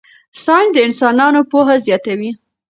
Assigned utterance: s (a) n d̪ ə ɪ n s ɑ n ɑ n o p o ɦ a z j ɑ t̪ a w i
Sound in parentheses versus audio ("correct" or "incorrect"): incorrect